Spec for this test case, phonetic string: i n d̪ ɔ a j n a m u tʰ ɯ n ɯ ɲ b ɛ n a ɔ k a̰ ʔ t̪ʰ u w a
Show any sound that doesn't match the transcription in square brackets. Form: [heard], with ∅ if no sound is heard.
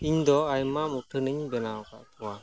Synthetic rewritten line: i [ɲ] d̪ ɔ a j [m] a m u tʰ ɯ n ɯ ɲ b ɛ n a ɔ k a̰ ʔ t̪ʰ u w a